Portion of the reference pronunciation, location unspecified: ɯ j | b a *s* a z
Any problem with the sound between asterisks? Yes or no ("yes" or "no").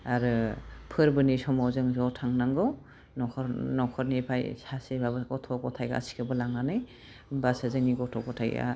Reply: no